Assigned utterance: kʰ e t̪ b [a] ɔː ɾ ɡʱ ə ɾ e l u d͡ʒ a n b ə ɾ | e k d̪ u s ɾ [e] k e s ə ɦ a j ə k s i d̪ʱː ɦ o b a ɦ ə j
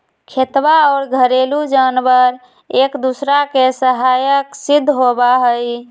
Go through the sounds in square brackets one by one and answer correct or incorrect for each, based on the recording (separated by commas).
correct, incorrect